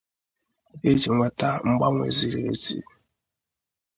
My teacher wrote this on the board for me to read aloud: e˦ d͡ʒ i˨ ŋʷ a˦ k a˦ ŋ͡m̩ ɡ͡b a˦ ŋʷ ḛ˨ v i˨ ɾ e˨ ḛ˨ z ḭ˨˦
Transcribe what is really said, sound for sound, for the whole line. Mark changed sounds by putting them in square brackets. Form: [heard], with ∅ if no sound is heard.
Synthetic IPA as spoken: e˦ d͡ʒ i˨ ŋʷ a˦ [t] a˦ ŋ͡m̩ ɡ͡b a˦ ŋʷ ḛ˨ [z] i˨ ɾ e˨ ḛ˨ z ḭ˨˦